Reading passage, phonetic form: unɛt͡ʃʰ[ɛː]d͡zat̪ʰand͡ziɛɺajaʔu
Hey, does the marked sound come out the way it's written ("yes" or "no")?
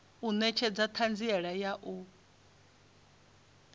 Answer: no